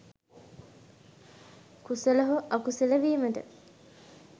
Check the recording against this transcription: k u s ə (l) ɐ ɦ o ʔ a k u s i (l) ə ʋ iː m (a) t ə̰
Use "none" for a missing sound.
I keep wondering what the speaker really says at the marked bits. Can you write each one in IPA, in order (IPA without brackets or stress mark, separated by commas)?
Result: l, l, ə